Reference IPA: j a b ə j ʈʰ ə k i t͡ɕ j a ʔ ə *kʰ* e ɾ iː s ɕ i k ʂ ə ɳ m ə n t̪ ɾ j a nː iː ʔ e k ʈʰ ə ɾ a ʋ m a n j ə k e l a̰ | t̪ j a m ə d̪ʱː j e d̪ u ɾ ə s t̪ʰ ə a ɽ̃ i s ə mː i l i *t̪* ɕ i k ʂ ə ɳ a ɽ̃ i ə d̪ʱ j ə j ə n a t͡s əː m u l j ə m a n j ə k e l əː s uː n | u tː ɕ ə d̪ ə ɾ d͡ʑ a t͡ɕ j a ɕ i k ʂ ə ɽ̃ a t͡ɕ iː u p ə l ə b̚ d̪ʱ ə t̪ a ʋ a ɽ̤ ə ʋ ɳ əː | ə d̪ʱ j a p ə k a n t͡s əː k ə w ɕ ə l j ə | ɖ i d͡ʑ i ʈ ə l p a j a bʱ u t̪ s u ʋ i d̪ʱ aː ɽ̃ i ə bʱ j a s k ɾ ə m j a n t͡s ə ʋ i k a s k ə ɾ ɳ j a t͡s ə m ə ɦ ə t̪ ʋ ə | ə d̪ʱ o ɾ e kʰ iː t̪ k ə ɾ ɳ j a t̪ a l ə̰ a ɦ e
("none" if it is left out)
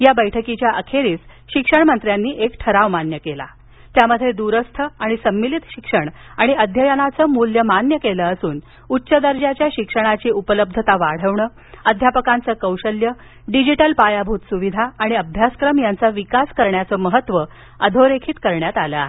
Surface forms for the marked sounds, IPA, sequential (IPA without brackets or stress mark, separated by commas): kʰ, t̪